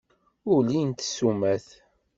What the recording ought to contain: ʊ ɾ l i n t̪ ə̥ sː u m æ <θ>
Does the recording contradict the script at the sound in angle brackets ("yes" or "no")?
no